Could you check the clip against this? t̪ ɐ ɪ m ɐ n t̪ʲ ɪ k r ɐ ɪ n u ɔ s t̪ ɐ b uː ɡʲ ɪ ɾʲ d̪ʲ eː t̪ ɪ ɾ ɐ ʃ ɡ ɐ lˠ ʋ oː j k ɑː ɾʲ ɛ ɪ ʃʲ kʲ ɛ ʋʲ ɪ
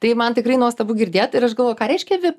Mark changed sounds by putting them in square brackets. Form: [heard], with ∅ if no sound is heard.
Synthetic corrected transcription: t̪ ɐ ɪ m ɐ n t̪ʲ ɪ k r ɐ ɪ n u ɔ s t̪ ɐ b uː ɡʲ ɪ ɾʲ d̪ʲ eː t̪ ɪ ɾ ɐ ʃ ɡ ɐ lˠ ʋ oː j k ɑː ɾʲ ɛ ɪ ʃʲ kʲ ɛ ʋʲ ɪ

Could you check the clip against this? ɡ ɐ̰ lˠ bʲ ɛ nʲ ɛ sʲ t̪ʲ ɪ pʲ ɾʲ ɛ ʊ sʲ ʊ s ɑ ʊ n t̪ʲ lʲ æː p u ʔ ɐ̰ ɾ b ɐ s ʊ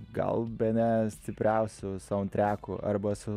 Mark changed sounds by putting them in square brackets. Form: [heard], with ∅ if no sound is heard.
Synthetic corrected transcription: ɡ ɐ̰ lˠ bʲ ɛ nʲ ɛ sʲ t̪ʲ ɪ pʲ ɾʲ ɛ ʊ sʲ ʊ s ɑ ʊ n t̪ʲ [ɾʲ] æː [k] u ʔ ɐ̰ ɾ b ɐ s ʊ

